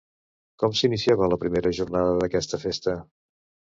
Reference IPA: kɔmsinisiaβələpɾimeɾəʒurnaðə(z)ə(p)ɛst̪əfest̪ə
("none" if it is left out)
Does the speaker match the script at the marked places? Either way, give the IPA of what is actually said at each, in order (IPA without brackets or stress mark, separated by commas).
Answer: ð, k